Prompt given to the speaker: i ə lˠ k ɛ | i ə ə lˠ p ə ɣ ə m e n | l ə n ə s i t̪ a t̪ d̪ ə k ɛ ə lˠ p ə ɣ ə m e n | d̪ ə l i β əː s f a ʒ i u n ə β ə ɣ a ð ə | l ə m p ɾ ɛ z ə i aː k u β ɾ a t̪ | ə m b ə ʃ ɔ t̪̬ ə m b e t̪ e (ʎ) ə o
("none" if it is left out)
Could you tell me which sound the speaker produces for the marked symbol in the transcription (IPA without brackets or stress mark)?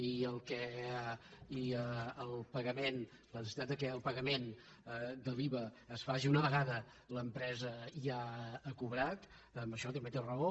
r